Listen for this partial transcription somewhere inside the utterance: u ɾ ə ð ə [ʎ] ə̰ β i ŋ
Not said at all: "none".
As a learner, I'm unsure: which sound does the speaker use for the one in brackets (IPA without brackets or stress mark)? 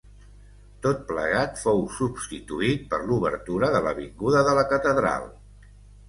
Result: l